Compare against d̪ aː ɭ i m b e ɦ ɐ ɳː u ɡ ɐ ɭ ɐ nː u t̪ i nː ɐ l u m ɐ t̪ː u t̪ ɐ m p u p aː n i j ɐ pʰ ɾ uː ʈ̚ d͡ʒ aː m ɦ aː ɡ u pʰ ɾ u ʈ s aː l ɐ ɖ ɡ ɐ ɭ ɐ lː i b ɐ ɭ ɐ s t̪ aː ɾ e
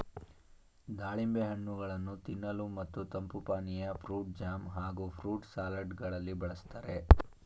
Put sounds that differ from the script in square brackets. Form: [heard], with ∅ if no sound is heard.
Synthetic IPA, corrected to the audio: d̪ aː ɭ i m b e ɦ ɐ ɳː u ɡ ɐ ɭ ɐ nː u t̪ i nː ɐ l u m ɐ t̪ː u t̪ ɐ m p u p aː n i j ɐ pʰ ɾ uː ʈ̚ d͡ʒ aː m ɦ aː ɡ u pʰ ɾ [uː] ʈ s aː l ɐ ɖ ɡ ɐ ɭ ɐ lː i b ɐ ɭ ɐ s t̪ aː ɾ e